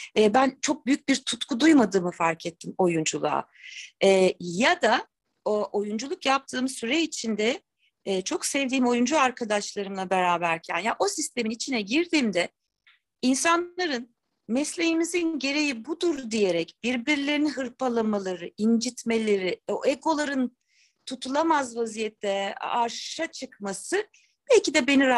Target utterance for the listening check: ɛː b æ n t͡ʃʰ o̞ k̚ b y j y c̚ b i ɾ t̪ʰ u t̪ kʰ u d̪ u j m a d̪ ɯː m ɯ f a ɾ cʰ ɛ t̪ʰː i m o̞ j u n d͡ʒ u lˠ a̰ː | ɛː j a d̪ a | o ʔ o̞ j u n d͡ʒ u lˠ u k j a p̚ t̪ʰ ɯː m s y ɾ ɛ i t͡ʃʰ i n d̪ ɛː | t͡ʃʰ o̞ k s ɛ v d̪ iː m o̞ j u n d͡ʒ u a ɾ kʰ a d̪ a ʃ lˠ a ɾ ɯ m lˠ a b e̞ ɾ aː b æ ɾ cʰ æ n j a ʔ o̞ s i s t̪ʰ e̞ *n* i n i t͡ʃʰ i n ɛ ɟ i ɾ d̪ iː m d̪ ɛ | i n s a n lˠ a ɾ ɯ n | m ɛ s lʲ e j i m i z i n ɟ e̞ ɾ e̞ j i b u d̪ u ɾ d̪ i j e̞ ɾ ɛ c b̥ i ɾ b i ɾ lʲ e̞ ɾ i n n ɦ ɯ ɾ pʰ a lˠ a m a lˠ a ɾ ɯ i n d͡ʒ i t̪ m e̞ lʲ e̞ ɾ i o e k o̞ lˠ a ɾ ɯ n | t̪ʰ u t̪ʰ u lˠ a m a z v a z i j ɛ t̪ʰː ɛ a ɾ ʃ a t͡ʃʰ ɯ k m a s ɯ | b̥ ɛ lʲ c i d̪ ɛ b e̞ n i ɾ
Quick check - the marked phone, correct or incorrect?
incorrect